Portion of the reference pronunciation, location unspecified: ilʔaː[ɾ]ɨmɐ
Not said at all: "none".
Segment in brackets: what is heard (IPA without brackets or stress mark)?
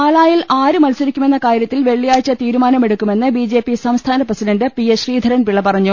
ɾ